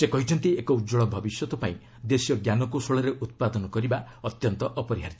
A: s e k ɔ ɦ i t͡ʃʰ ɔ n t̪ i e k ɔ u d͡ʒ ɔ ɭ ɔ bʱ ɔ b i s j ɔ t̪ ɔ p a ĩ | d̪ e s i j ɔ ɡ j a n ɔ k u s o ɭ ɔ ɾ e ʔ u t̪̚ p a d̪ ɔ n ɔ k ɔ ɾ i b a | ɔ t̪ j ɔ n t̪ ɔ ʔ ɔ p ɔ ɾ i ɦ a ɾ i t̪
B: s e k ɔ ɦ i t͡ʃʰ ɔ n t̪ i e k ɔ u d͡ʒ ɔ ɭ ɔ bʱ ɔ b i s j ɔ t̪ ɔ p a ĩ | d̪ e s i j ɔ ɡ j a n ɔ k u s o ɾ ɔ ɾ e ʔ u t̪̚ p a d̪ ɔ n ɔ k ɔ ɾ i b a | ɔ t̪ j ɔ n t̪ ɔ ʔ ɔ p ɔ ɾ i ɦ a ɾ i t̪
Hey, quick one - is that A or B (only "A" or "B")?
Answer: A